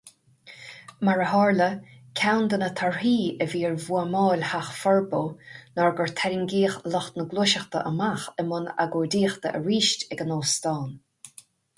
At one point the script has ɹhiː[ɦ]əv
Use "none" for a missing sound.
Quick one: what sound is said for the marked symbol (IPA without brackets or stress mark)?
none